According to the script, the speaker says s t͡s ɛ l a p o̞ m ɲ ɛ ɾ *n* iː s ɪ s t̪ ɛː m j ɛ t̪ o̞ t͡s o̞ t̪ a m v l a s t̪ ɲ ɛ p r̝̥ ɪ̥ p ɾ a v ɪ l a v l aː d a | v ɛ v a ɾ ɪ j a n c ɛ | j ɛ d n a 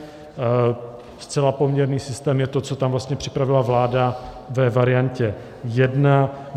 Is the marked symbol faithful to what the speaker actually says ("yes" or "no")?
yes